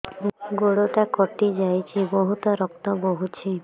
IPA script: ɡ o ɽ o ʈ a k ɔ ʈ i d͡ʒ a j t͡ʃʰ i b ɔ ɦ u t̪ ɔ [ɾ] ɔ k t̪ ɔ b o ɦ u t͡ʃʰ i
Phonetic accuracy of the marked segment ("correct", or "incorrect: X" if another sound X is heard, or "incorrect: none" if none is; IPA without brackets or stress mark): correct